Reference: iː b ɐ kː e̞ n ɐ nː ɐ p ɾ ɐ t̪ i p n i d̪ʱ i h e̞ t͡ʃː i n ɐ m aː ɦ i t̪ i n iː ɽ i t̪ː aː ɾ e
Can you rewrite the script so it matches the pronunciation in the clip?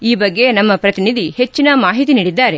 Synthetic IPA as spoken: iː b ɐ ɡː e̞ n ɐ mː ɐ p ɾ ɐ t̪ i n i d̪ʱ i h e̞ t͡ʃː i n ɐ m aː ɦ i t̪ i n iː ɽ i d̪ː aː ɾ e